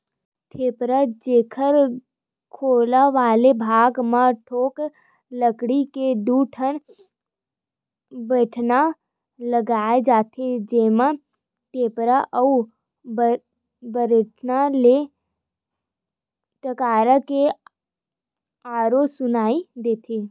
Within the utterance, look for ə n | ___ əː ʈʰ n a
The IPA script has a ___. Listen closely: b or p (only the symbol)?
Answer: b